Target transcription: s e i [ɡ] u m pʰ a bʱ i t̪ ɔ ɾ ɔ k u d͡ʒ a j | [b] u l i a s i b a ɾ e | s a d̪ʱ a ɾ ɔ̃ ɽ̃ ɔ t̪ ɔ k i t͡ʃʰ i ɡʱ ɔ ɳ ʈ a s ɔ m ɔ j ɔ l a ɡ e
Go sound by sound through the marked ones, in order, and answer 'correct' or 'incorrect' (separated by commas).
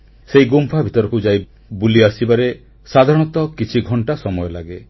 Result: correct, correct